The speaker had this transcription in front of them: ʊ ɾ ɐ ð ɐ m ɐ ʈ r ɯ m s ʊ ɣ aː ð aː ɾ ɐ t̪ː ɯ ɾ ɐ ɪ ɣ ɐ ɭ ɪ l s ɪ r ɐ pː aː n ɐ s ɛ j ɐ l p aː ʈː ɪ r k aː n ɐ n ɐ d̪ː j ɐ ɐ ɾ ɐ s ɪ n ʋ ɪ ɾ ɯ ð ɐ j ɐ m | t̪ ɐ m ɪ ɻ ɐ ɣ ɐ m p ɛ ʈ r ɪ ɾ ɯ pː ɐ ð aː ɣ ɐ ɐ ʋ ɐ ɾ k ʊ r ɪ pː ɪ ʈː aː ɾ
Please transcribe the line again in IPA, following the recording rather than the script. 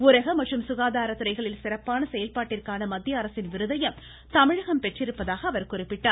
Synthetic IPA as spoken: ʊ ɾ ɐ ɣ ɐ m ɐ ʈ r ɯ m s ʊ ɣ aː ð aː ɾ ɐ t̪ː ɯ ɾ ɐ ɪ ɣ ɐ ɭ ɪ l s ɪ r ɐ pː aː n ɐ s ɛ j ɐ l p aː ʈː ɪ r k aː n ɐ m ɐ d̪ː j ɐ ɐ ɾ ɐ s ɪ n ʋ ɪ ɾ ɯ ð ɐ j ɐ m | t̪ ɐ m ɪ ɻ ɐ ɣ ɐ m p ɛ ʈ r ɪ ɾ ɯ pː ɐ ð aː ɣ ɐ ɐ ʋ ɐ ɾ k ʊ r ɪ pː ɪ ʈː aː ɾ

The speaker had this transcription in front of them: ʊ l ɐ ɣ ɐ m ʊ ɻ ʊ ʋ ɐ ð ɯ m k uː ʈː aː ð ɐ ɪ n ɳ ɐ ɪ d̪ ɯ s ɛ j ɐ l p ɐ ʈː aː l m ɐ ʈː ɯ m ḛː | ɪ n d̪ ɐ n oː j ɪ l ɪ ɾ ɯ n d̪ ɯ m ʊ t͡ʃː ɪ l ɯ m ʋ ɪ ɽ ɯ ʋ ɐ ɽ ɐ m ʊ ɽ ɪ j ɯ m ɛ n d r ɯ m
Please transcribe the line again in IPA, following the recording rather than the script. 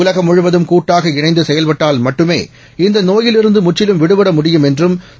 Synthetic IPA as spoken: ʊ l ɐ ɣ ɐ m ʊ ɻ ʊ ʋ ɐ ð ɯ m k uː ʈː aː ɣ ɐ ɪ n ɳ ɐ ɪ d̪ ɯ s ɛ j ɐ l p ɐ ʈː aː l m ɐ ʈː ɯ m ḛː | ɪ n d̪ ɐ n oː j ɪ l ɪ ɾ ɯ n d̪ ɯ m ʊ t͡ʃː ɪ l ɯ m ʋ ɪ ɽ ɯ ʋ ɐ ɽ ɐ m ʊ ɽ ɪ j ɯ m ɛ n d r ɯ m

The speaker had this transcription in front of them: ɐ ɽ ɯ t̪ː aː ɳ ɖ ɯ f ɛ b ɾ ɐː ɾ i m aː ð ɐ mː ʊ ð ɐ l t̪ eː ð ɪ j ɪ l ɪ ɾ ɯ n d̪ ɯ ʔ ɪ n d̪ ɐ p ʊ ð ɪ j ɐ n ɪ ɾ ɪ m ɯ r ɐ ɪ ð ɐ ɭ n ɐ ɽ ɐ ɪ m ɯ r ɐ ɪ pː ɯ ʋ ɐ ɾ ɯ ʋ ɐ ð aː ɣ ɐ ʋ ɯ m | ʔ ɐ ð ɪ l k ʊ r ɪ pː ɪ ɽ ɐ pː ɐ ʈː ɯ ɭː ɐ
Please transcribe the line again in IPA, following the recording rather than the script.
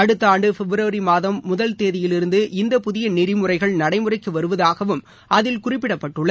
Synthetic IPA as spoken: ɐ ɽ ɯ t̪ː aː ɳ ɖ ɯ f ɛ b ɾ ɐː ɾ i m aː ð ɐ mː ʊ ð ɐ l t̪ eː ð ɪ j ɪ l ɪ ɾ ɯ n d̪ ɯ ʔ ɪ n d̪ ɐ p ʊ ð ɪ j ɐ n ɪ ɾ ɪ m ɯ r ɐ ɪ ɣ ɐ ɭ n ɐ ɽ ɐ ɪ m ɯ r ɐ ɪ kː ɯ ʋ ɐ ɾ ɯ ʋ ɐ ð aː ɣ ɐ ʋ ɯ m | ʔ ɐ ð ɪ l k ʊ r ɪ pː ɪ ɽ ɐ pː ɐ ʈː ɯ ɭː ɐ

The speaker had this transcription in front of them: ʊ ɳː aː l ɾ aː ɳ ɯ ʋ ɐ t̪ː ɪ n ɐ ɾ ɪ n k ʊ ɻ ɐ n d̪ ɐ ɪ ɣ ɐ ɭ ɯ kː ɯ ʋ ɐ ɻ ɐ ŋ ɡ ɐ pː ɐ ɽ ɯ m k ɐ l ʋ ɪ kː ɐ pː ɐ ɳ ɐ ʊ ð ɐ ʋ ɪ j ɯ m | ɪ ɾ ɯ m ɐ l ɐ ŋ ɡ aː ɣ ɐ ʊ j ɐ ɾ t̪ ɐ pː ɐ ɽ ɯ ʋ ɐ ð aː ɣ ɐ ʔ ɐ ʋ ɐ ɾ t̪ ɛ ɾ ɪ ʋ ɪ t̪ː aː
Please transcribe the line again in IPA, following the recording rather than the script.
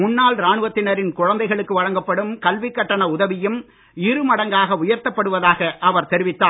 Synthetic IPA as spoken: ʊ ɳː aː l ɾ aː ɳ ɯ ʋ ɐ t̪ː ɪ n ɐ ɾ ɪ n k ʊ ɻ ɐ n d̪ ɐ ɪ ɣ ɐ ɭ ɯ kː ɯ ʋ ɐ ɻ ɐ ŋ ɡ ɐ pː ɐ ɽ ɯ m k ɐ l ʋ ɪ kː ɐ ʈː ɐ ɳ ɐ ʊ ð ɐ ʋ ɪ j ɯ m | ɪ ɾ ɯ m ɐ ɽ ɐ ŋ ɡ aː ɣ ɐ ʊ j ɐ ɾ t̪ ɐ pː ɐ ɽ ɯ ʋ ɐ ð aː ɣ ɐ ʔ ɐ ʋ ɐ ɾ t̪ ɛ ɾ ɪ ʋ ɪ t̪ː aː

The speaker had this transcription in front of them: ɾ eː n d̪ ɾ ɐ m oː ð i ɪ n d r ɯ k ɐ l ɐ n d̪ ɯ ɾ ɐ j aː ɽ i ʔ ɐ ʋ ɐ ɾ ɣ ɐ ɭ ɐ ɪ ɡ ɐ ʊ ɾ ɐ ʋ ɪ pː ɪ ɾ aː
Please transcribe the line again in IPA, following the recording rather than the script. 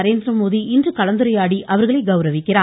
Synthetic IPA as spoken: ɾ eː n d̪ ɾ ɐ m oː ð i ɪ n d r ɯ k ɐ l ɐ n d̪ ɯ ɾ ɐ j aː ɽ i ʔ ɐ ʋ ɐ ɾ ɣ ɐ ɭ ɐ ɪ ɡ ɐ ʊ ɾ ɐ ʋ ɪ kː ɪ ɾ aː

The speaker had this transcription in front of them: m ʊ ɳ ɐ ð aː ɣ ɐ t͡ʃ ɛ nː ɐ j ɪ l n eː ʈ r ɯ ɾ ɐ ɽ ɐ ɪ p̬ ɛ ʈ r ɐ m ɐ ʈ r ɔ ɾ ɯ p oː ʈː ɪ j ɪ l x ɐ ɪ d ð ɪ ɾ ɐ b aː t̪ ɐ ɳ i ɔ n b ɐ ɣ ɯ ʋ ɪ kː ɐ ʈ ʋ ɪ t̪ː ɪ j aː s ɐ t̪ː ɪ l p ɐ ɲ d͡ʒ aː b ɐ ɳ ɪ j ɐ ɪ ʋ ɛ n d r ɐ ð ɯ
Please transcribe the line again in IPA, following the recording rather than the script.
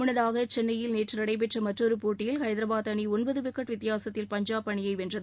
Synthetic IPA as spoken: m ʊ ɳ ɐ ð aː ɣ ɐ t͡ʃ ɛ nː ɐ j ɪ l n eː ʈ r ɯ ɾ ɐ ɽ ɐ ɪ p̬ ɛ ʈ r ɐ m ɐ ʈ r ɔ ɾ ɯ p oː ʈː ɪ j ɪ l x ɐ ɪ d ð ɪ ɾ ɐ b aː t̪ ɐ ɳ i ɔ n b ɐ ð ɯ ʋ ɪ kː ɐ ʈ ʋ ɪ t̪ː ɪ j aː s ɐ t̪ː ɪ l p ɐ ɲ d͡ʒ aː p ɐ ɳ ɪ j ɐ ɪ ʋ ɛ n d r ɐ ð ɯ

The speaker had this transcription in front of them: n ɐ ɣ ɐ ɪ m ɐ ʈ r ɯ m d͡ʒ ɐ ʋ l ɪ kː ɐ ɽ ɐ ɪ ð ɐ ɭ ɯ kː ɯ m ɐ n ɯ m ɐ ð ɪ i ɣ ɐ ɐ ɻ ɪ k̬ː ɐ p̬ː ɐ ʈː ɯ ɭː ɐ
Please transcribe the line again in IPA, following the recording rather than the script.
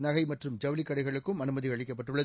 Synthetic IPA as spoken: n ɐ ɣ ɐ ɪ m ɐ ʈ r ɯ m d͡ʒ ɐ ʋ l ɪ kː ɐ ɽ ɐ ɪ ɣ ɐ ɭ ɯ kː ɯ m ɐ n ɯ m ɐ ð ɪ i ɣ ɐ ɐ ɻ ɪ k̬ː ɐ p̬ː ɐ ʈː ɯ ɭː ɐ

